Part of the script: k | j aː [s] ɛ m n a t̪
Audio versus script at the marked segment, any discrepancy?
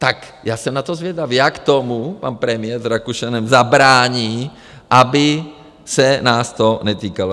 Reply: no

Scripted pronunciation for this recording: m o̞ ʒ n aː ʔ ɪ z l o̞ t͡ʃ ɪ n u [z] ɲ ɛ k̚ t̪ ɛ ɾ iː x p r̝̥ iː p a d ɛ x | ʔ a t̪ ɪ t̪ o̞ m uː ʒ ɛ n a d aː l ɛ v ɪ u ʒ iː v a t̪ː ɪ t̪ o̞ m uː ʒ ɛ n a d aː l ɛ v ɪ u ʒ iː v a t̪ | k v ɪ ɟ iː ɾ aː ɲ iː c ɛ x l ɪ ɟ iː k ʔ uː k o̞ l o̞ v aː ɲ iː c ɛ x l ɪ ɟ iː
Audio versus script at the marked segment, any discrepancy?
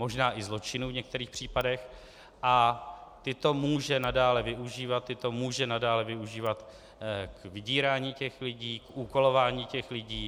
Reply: yes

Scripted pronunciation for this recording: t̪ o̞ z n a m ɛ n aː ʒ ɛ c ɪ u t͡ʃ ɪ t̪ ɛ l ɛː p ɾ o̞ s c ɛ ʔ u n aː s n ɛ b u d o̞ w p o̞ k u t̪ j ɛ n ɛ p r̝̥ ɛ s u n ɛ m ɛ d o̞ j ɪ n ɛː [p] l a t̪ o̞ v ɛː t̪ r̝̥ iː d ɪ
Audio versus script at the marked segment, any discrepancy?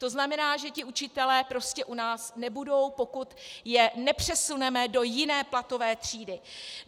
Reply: no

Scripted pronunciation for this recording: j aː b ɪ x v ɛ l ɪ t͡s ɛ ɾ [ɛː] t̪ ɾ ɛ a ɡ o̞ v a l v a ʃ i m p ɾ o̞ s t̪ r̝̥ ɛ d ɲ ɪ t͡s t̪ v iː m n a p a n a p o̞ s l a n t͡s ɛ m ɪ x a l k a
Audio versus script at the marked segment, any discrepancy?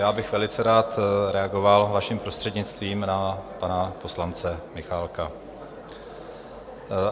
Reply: yes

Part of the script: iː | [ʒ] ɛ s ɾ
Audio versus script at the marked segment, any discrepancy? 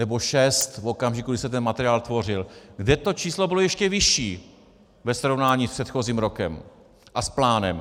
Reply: yes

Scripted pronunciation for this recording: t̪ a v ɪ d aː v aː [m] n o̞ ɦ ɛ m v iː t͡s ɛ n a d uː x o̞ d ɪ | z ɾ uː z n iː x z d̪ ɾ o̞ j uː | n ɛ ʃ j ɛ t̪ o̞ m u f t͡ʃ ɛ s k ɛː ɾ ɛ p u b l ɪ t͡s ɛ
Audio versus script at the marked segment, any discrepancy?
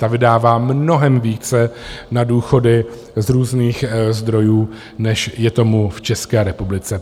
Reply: no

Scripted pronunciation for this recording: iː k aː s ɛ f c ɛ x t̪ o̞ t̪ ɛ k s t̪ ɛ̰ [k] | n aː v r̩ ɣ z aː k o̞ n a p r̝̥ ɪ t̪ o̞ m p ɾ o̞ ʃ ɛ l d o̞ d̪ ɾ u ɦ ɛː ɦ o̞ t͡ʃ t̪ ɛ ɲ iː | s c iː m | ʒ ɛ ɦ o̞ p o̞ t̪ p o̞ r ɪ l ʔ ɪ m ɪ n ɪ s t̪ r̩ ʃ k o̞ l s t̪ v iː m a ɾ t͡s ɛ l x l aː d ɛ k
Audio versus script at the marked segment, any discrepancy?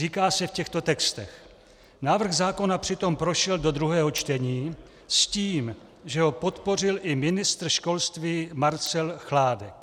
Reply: yes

